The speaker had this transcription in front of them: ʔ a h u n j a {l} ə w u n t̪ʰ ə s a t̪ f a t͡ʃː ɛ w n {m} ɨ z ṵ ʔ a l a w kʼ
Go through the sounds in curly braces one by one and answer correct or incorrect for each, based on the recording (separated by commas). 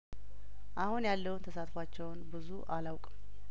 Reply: incorrect, incorrect